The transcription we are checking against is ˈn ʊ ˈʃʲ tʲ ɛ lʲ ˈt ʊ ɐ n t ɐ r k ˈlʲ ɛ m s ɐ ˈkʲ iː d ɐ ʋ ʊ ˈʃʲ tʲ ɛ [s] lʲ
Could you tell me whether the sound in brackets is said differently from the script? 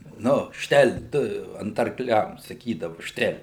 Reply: yes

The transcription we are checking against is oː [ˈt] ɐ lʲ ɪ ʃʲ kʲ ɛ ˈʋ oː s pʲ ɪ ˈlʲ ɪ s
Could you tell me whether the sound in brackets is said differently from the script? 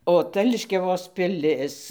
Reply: no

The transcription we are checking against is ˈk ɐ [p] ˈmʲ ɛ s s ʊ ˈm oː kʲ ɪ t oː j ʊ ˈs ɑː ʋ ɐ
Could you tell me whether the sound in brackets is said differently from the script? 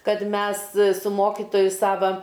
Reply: yes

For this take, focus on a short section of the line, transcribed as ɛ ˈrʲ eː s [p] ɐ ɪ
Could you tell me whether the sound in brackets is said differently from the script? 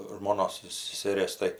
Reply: yes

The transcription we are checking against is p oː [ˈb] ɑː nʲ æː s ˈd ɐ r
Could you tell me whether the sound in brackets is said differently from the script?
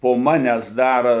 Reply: yes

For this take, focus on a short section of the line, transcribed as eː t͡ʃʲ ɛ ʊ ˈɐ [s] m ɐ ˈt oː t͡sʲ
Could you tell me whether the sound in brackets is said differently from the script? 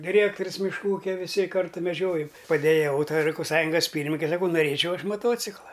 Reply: yes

